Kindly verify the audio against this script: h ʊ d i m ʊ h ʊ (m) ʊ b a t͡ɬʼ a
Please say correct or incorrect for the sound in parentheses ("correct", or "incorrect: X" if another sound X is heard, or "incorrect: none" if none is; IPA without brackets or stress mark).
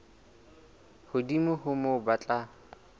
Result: correct